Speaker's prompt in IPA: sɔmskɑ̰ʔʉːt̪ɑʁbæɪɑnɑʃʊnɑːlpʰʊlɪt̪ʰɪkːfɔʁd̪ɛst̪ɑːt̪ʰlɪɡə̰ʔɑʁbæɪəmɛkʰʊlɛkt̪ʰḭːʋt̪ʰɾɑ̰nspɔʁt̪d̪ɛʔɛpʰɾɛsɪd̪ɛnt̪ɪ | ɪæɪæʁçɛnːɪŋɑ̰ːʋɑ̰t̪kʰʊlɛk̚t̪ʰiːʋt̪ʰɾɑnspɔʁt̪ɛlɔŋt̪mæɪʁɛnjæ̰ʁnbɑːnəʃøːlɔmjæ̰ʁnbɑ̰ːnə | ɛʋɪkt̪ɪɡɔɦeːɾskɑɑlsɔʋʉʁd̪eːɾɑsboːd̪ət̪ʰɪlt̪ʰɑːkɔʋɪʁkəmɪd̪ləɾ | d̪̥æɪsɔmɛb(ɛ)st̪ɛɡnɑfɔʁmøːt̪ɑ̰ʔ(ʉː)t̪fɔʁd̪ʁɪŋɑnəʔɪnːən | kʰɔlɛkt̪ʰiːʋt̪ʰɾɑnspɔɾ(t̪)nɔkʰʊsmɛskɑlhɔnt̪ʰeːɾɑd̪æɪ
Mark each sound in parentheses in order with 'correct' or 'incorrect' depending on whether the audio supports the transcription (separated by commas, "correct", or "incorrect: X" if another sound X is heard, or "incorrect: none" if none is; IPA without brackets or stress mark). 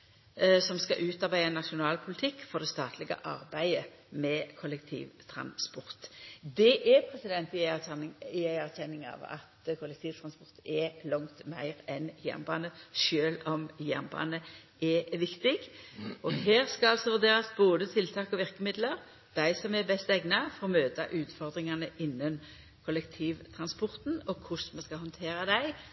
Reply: correct, correct, correct